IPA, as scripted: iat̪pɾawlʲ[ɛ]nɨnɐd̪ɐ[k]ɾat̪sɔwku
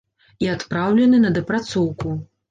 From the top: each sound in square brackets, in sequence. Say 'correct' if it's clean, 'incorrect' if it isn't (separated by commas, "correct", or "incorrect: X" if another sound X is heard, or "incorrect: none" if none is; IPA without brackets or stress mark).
correct, incorrect: p